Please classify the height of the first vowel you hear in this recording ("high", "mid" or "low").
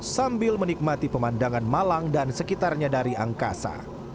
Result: low